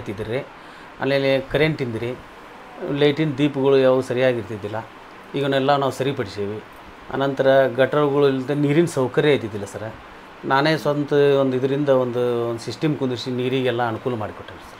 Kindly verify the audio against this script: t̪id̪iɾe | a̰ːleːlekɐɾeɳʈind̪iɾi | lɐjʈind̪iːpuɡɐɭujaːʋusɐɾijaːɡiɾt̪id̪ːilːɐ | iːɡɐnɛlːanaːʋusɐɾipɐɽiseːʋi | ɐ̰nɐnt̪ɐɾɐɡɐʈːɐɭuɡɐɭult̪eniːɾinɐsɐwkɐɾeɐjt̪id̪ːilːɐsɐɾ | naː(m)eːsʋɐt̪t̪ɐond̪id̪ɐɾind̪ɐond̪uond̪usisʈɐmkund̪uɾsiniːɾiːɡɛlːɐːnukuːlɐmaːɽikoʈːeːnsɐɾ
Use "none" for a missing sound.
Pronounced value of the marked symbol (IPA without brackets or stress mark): n